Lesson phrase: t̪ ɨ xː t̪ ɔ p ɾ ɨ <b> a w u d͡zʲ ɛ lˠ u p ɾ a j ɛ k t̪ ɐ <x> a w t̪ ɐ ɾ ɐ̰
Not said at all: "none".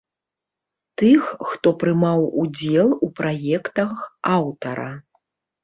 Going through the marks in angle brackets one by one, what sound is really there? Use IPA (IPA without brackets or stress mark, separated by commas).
m, x